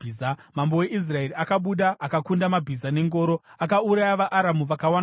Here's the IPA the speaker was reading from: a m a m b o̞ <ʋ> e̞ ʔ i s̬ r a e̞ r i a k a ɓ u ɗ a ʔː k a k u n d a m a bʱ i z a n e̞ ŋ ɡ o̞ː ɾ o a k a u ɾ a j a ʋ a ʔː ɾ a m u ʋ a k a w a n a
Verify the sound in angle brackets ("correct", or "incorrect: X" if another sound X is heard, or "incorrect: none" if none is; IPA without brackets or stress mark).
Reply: incorrect: w